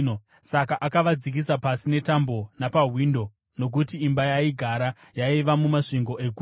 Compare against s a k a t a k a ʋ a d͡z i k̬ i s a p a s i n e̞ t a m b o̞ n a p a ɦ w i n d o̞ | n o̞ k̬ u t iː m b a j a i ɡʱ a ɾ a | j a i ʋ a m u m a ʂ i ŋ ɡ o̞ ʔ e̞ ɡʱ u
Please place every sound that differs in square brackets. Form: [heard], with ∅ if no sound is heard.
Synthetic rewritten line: s a k a [ʔ] a k a ʋ a d͡z i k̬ i s a p a s i n e̞ t a m b o̞ n a p a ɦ w i n d o̞ | n o̞ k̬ u t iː m b a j a i ɡʱ a ɾ a | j a i ʋ a m u m a ʂ i ŋ ɡ o̞ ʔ e̞ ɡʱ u